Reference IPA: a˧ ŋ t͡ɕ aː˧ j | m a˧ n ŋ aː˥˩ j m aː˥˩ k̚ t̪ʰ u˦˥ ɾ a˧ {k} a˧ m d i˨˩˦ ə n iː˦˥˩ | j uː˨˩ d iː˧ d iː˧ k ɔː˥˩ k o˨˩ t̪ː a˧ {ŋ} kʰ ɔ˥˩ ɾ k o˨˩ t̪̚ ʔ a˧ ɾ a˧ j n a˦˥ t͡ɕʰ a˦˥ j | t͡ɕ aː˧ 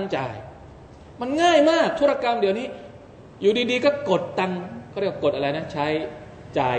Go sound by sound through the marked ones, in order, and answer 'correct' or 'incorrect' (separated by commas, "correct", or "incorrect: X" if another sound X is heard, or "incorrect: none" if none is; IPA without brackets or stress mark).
correct, correct